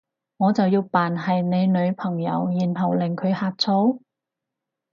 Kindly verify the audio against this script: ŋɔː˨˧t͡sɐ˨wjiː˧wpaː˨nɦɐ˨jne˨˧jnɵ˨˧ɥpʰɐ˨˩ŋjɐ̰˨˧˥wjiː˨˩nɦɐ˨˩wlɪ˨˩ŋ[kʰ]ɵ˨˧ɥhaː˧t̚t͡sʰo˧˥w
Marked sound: correct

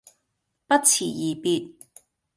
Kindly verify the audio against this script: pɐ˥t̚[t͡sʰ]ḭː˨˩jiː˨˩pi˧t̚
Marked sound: correct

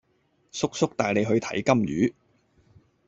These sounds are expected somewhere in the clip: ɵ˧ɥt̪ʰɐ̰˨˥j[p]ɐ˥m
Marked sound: incorrect: k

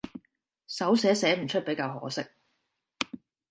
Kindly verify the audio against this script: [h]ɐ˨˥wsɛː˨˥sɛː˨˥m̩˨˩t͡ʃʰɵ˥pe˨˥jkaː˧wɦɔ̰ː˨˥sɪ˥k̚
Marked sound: incorrect: s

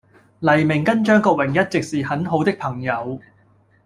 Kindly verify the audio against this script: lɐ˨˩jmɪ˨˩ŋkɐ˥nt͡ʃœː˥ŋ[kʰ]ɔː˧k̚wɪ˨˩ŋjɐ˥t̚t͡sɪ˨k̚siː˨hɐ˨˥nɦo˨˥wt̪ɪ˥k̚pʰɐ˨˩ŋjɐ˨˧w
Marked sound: incorrect: k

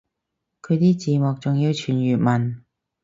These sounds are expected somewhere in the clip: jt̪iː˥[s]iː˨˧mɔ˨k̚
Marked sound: incorrect: t͡s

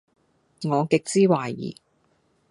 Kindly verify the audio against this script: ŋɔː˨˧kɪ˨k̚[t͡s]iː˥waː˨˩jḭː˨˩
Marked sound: correct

